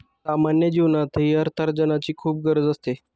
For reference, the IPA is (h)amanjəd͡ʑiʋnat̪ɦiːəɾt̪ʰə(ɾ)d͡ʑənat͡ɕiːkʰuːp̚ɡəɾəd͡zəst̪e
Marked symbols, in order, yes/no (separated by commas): no, yes